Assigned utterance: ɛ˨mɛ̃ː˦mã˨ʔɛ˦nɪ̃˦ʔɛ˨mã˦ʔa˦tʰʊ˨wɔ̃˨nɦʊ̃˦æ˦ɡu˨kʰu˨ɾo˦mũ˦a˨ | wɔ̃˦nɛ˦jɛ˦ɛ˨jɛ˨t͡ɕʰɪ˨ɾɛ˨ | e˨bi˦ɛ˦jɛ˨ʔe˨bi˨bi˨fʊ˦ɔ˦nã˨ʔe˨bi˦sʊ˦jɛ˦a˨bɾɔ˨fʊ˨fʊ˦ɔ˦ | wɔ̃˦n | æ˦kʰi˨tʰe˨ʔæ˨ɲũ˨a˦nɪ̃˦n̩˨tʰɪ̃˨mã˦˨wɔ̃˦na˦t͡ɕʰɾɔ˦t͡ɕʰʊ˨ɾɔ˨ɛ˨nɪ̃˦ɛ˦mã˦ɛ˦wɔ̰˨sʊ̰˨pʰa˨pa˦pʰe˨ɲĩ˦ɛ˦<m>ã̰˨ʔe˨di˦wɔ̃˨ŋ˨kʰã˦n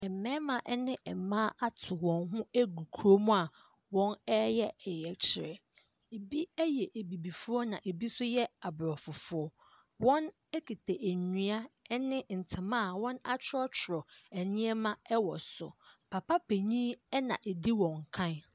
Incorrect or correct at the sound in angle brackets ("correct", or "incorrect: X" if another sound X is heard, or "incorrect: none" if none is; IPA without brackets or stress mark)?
incorrect: n